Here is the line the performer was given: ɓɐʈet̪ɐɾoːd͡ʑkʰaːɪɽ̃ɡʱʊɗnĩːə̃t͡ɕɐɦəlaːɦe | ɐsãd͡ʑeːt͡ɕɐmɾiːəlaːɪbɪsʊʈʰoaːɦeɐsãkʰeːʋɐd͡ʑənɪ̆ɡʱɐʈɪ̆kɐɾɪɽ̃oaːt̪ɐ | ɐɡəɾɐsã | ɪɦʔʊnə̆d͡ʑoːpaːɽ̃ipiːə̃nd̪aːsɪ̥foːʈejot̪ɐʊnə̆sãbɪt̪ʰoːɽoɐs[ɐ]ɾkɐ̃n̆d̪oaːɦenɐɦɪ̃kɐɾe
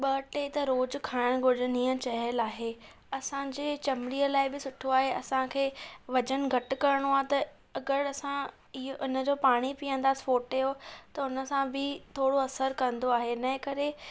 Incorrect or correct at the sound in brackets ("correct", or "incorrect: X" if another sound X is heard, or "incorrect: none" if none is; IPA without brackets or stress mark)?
incorrect: ə